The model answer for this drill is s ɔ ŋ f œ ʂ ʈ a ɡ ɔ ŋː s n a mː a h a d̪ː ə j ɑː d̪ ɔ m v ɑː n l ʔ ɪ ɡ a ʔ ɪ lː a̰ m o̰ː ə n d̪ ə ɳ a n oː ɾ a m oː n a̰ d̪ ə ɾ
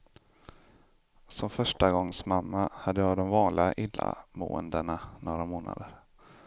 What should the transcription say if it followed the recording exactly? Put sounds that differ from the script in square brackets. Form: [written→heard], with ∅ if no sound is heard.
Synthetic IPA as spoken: s ɔ [ŋ→m] f œ ʂ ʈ a ɡ ɔ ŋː s [n→m] a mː a h a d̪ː ə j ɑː d̪ ɔ m v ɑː n l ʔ ɪ ɡ a ʔ ɪ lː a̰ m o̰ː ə n d̪ ə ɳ a n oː ɾ a m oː n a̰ d̪ ə ɾ